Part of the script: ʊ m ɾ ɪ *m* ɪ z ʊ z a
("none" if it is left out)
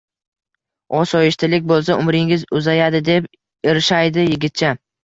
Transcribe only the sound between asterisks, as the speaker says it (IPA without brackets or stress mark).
ŋ